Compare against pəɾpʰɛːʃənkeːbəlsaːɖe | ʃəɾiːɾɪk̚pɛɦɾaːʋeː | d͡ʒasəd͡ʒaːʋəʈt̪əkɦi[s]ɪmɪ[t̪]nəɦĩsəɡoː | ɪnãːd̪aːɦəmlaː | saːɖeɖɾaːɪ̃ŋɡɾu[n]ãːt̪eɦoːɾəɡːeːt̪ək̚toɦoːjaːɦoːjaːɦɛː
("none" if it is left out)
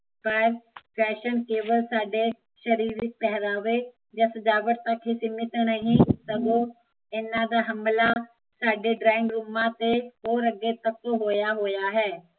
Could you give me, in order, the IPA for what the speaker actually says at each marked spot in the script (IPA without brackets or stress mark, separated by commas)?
s, t̪, m